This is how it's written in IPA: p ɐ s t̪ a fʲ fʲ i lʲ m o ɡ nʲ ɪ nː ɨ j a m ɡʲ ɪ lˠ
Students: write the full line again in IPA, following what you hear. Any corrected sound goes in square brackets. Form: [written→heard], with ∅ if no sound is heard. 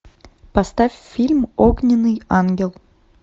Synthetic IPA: p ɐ s t̪ a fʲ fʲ i lʲ m o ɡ nʲ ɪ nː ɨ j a [m→n] ɡʲ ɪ lˠ

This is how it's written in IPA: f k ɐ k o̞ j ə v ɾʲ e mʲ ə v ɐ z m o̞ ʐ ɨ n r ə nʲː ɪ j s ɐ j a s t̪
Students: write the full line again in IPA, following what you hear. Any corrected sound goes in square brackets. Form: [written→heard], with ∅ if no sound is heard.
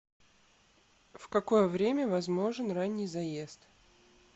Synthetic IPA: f k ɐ k o̞ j ə v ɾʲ e mʲ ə v ɐ z m o̞ ʐ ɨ n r [ə→a] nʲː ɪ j [s→z] ɐ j [a→e] s t̪

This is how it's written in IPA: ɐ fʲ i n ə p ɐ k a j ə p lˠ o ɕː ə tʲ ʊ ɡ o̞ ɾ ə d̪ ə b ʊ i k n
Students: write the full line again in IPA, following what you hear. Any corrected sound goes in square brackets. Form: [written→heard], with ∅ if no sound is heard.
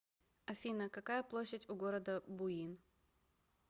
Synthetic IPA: ɐ fʲ i n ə [p→k] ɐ k a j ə p lˠ o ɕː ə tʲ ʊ ɡ o̞ ɾ ə d̪ ə b ʊ i [k→∅] n

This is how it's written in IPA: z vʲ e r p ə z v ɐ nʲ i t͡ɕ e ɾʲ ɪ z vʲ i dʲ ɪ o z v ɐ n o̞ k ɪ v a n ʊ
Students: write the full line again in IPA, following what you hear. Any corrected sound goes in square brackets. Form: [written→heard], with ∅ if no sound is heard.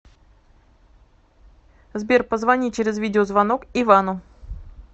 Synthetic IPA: z [vʲ→bʲ] e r p ə z v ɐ nʲ i t͡ɕ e ɾʲ ɪ z vʲ i dʲ ɪ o z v ɐ n o̞ k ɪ v a n ʊ

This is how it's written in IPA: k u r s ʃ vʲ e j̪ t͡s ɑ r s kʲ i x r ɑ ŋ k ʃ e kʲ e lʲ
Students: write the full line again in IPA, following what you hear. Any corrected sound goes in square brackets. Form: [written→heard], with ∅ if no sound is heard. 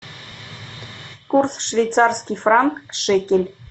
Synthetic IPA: k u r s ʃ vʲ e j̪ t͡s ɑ r s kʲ i [x→f] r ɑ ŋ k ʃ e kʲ e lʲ

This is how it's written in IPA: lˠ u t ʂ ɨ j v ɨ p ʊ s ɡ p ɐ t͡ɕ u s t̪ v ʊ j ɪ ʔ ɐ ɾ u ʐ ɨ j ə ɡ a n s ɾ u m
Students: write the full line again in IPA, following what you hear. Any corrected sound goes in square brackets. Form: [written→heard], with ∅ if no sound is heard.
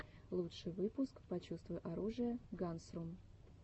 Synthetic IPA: lˠ u t ʂ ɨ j v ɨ p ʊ s [ɡ→k] p ɐ t͡ɕ u s t̪ v ʊ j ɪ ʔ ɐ ɾ u ʐ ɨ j ə ɡ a n s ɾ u m

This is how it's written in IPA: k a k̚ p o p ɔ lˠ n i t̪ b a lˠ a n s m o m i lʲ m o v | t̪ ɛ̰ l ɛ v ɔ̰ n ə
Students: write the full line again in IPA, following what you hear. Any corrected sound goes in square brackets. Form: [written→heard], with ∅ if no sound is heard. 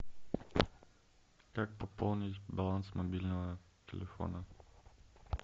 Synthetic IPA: k a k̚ p o p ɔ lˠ n i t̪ b a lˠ a n s m o [m→b] i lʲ [m→n] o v | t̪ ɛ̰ l ɛ [v→f] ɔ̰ n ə

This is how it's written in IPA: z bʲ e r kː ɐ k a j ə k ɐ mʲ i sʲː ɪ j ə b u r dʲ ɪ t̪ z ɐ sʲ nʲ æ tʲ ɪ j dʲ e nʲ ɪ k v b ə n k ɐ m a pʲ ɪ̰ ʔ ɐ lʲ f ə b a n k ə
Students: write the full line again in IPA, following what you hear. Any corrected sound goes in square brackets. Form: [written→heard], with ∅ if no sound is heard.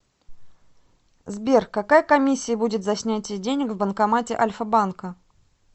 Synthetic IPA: z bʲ e r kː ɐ k a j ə k ɐ mʲ i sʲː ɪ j ə b u [r→∅] dʲ ɪ t̪ z ɐ sʲ nʲ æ tʲ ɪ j dʲ e nʲ ɪ k v b ə n k ɐ m a [pʲ→tʲ] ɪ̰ ʔ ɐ lʲ f ə b a n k ə

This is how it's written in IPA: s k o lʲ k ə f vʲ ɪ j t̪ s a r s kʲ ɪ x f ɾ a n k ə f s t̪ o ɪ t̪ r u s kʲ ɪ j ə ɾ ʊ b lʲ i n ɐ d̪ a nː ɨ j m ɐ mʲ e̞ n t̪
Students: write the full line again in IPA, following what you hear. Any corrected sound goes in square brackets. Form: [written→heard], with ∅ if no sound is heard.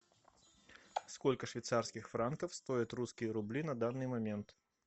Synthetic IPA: s k o lʲ k ə [f→ʂ] vʲ ɪ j t̪ s a r s kʲ ɪ x f ɾ a n k ə f s t̪ o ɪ t̪ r u s kʲ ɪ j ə ɾ ʊ b lʲ i n ɐ d̪ a nː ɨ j m ɐ mʲ e̞ n t̪

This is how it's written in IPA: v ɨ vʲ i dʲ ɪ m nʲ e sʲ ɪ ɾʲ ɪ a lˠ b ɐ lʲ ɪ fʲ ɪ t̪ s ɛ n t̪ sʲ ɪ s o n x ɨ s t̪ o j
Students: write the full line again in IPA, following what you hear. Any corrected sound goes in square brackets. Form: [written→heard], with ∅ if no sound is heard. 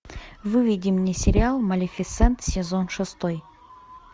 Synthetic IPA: v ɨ vʲ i dʲ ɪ m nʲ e sʲ ɪ ɾʲ ɪ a lˠ [b→m] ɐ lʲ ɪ fʲ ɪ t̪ s ɛ n t̪ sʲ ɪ [s→z] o n [x→ʂ] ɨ s t̪ o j

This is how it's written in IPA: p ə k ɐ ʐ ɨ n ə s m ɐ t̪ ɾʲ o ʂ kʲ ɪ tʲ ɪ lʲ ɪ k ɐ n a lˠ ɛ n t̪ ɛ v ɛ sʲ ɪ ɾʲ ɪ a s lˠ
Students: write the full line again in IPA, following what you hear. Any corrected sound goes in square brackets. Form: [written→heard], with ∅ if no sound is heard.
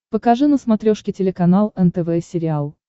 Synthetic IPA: p ə k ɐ ʐ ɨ n ə s m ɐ t̪ ɾʲ o ʂ kʲ ɪ tʲ ɪ lʲ ɪ k ɐ n a lˠ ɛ n t̪ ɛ v ɛ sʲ ɪ ɾʲ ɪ a [s→∅] lˠ

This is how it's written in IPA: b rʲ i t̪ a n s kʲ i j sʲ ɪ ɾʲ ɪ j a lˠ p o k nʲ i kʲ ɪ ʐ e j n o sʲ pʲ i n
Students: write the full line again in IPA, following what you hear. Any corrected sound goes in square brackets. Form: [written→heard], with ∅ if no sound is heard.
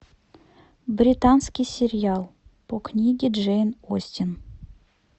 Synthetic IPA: b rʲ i t̪ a n s kʲ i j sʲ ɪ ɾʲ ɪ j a lˠ p o k nʲ i [kʲ→ɡʲ] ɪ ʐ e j n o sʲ [pʲ→tʲ] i n

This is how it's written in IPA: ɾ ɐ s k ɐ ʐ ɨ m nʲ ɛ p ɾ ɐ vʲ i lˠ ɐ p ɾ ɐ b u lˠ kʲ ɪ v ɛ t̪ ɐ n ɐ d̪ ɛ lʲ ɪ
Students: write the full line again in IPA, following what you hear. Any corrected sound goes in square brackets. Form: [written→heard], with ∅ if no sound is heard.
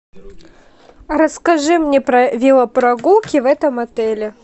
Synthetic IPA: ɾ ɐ s k ɐ ʐ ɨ m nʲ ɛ p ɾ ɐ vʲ i lˠ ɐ p ɾ ɐ [b→ɡ] u lˠ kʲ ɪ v ɛ t̪ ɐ [n→m] ɐ [d̪→t̪] ɛ lʲ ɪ

